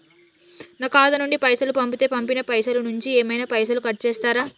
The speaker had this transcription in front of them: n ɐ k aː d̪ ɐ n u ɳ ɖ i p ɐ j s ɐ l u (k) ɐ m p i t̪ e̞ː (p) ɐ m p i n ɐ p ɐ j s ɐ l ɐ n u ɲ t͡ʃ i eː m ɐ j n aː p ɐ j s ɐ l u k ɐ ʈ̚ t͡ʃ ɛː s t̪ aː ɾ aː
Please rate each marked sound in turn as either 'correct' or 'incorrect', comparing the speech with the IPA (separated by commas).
incorrect, correct